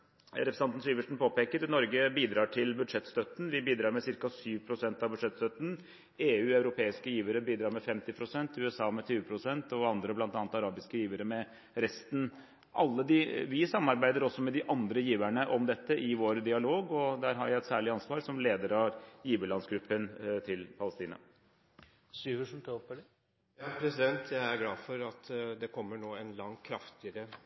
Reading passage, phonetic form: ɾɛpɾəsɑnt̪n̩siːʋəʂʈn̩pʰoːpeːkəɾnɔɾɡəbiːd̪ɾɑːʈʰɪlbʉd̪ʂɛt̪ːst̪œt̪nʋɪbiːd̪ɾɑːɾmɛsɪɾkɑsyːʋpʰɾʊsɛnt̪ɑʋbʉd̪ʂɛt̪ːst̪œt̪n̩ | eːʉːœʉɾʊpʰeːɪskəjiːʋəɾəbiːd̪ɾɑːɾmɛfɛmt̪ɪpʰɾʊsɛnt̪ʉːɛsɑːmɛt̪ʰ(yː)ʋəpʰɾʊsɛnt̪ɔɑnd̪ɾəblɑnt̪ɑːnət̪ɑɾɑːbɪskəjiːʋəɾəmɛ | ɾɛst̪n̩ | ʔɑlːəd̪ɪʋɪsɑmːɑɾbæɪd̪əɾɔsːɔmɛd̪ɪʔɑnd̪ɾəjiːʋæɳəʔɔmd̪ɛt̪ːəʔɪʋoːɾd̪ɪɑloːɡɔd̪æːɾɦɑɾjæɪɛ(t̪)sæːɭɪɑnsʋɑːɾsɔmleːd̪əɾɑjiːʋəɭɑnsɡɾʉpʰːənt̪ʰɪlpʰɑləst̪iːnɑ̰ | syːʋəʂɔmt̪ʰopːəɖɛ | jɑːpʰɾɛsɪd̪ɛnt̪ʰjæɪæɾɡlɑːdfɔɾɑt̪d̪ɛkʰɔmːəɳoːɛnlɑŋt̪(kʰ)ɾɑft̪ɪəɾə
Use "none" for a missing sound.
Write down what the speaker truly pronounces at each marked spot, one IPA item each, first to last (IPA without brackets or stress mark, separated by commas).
yː, t̪, kʰ